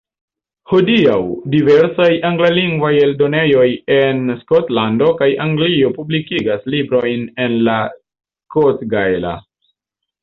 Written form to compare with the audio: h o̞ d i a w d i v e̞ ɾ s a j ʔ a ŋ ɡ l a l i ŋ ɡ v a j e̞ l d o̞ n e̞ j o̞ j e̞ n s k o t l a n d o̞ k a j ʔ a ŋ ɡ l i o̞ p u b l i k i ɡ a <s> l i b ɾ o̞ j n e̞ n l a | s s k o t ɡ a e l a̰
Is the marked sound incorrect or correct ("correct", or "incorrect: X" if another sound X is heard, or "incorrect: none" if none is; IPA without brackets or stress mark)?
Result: correct